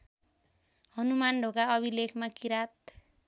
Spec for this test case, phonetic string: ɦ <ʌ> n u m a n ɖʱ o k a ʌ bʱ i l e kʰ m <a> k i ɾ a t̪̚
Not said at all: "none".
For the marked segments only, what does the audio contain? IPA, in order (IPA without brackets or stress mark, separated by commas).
ʌ, a